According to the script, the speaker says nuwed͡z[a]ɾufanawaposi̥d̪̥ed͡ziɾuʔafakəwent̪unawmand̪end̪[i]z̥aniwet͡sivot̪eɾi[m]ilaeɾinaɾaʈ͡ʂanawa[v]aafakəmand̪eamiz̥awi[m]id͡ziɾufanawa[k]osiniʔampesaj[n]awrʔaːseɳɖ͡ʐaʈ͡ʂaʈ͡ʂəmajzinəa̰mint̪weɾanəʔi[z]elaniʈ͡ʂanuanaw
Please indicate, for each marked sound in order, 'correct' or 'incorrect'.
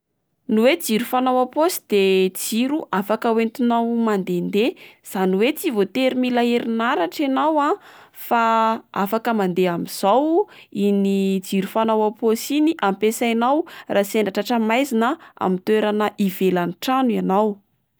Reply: incorrect: i, incorrect: e, correct, incorrect: f, incorrect: n, incorrect: p, correct, incorrect: v

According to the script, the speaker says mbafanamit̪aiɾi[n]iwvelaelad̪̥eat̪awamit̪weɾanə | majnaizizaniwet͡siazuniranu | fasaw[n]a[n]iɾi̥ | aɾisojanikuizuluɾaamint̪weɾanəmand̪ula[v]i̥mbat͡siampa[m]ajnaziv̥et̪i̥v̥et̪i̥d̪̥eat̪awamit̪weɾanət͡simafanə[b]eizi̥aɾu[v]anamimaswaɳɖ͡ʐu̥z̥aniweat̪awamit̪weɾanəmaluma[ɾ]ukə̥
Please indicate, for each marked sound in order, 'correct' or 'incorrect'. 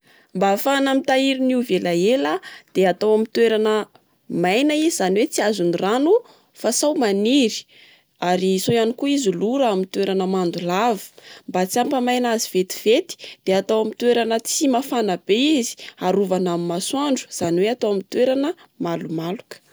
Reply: correct, incorrect: m, correct, correct, correct, correct, correct, incorrect: l

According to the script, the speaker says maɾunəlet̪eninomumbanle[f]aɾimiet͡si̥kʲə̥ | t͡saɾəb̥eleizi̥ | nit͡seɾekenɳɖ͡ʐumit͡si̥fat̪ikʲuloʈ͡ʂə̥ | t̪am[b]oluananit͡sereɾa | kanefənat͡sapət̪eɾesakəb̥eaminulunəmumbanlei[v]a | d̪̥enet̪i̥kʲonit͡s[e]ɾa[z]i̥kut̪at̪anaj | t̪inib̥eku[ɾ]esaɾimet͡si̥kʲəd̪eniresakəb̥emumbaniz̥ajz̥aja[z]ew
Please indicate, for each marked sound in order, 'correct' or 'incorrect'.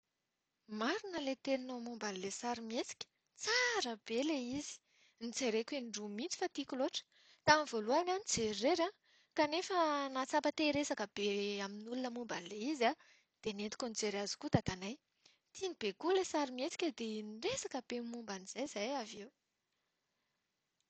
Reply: incorrect: s, incorrect: v, incorrect: z, correct, correct, incorrect: l, incorrect: v

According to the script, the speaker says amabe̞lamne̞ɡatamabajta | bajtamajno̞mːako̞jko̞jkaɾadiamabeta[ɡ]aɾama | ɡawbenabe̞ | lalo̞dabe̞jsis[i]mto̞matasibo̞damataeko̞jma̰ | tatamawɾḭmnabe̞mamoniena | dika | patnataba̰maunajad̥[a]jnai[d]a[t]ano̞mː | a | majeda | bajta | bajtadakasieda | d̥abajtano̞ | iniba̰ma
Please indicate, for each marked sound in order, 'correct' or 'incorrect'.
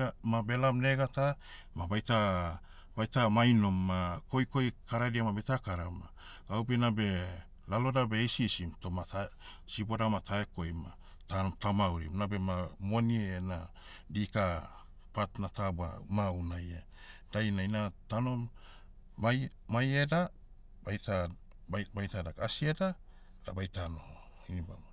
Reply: incorrect: k, correct, correct, incorrect: n, correct

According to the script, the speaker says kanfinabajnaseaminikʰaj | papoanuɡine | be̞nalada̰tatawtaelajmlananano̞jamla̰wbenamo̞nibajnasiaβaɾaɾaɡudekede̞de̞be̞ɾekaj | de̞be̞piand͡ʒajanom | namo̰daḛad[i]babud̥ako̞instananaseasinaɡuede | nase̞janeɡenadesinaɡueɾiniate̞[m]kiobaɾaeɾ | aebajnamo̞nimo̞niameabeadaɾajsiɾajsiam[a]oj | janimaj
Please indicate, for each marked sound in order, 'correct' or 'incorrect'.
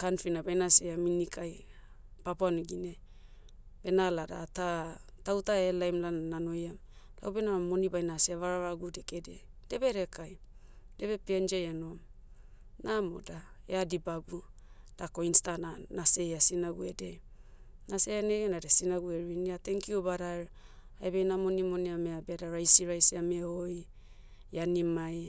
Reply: correct, incorrect: ŋ, incorrect: e

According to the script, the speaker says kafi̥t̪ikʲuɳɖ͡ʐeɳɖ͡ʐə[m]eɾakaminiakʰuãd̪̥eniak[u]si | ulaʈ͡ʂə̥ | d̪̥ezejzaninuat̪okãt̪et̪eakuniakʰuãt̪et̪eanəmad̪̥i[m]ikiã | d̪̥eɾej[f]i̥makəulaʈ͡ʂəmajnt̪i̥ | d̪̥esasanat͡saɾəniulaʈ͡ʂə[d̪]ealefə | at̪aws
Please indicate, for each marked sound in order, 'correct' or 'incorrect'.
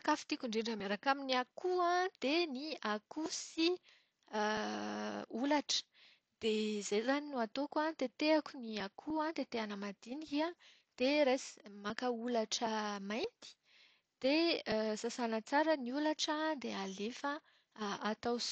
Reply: correct, correct, incorrect: n, incorrect: s, correct

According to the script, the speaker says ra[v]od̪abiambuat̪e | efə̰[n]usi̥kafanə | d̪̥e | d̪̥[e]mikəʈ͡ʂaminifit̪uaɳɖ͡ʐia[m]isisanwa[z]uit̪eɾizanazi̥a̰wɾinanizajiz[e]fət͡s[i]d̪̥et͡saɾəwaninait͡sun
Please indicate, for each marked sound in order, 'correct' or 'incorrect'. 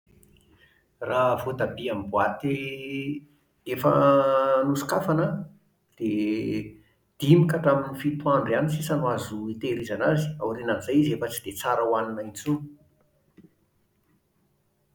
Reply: correct, correct, incorrect: i, incorrect: n, correct, correct, correct

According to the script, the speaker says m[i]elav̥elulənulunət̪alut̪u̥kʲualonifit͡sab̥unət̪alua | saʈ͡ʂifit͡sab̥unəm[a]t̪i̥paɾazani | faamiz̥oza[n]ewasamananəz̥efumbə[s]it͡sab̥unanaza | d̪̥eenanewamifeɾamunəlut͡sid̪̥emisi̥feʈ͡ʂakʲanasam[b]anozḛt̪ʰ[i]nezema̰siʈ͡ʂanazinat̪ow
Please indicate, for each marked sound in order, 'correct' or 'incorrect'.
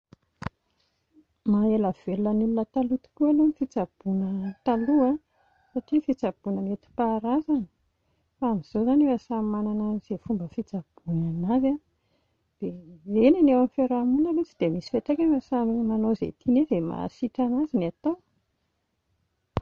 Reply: incorrect: a, incorrect: e, correct, incorrect: f, incorrect: m, correct

